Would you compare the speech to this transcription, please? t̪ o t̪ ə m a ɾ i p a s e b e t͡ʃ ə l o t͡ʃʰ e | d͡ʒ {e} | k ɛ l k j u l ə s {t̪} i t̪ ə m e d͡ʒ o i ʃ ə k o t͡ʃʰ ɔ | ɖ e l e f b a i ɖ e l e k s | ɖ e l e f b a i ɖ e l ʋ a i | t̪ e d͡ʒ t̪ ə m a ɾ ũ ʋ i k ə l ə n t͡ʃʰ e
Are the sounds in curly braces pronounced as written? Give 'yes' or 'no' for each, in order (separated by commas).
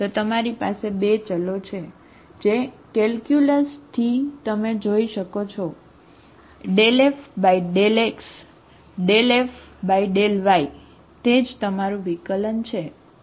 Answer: yes, no